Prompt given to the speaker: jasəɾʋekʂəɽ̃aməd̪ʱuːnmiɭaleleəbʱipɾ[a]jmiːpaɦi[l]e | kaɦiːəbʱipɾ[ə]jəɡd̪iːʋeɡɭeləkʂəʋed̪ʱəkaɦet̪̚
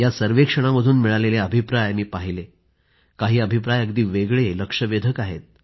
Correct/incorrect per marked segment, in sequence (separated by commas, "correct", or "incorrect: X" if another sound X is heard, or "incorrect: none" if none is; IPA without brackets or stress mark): correct, correct, incorrect: a